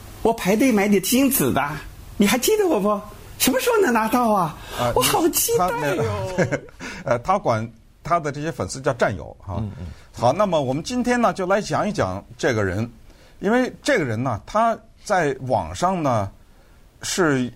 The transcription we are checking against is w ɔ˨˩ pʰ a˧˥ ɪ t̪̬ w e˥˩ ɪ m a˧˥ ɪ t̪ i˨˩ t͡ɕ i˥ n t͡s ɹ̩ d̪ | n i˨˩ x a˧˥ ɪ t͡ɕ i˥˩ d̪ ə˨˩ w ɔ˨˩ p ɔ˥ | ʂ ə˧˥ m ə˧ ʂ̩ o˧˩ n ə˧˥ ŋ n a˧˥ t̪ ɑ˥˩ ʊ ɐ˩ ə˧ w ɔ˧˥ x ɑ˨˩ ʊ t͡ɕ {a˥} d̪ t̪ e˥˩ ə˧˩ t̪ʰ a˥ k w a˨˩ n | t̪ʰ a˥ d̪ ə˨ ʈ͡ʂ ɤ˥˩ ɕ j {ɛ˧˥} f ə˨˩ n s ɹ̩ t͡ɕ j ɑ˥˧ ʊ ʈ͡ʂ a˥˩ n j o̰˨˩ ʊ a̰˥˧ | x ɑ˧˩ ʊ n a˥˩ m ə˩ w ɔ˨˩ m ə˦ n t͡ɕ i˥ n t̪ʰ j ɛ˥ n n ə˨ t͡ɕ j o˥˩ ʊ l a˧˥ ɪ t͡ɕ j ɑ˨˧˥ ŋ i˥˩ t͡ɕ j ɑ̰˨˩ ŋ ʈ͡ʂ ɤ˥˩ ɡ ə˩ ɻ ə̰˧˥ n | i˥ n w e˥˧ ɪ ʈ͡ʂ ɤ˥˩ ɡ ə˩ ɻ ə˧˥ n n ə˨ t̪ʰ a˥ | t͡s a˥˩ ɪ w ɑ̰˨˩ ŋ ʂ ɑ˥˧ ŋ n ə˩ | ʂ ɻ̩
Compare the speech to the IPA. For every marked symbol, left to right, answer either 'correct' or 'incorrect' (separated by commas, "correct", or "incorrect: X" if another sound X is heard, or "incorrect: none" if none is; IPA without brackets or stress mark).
incorrect: i˥, incorrect: ɛ˥